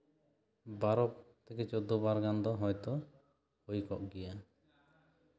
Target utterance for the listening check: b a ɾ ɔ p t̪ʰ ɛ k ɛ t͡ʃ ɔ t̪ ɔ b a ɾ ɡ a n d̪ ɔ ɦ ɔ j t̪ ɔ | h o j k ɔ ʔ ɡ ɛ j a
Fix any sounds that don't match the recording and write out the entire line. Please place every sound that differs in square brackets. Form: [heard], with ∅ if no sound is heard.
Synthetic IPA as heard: b a ɾ ɔ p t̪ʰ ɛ k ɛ t͡ʃ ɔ [d̪] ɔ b a ɾ ɡ a n d̪ ɔ ɦ ɔ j t̪ ɔ | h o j k ɔ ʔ ɡ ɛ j a